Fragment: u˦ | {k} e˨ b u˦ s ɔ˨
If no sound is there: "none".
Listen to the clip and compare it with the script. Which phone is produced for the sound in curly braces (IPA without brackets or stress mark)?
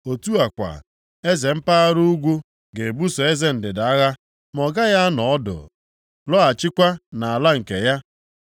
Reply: ɡ